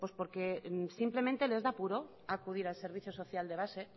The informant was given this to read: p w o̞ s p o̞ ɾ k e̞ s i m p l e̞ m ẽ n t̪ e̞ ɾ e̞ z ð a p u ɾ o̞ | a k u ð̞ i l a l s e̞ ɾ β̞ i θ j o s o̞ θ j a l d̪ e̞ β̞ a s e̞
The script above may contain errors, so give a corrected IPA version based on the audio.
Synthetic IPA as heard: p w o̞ s p o̞ ɾ k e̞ s i m p l e̞ m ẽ n t̪ e̞ l e̞ z ð a p u ɾ o̞ | a k u ð̞ i ɾ a l s e̞ ɾ β̞ i θ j o s o̞ θ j a l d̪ e̞ β̞ a s e̞